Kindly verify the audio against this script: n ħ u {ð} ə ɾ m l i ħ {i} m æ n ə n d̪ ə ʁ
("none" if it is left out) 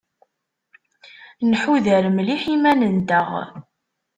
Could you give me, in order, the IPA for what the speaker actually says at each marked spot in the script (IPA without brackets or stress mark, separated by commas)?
ð, i